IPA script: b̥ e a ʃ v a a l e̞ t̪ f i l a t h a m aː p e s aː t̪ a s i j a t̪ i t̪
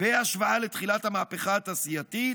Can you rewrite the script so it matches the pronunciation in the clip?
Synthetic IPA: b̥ e a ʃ v a a l e̞ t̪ χ i l a t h a m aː p e χ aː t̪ a s i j a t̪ i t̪

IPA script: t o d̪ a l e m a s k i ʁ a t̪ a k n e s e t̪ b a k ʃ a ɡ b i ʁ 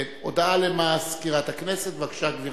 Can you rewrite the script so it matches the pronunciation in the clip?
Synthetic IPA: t o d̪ a l e m a s k i ʁ a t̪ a k n e s e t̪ v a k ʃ a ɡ v i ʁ

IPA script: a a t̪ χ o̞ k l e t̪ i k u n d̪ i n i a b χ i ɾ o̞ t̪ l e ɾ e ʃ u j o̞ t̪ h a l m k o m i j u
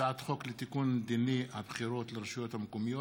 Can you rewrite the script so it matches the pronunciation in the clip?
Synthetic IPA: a a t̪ χ o̞ k l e t̪ i k u n d̪ i n i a b χ i ɾ o̞ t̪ l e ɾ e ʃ u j o̞ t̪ h a m k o m i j o

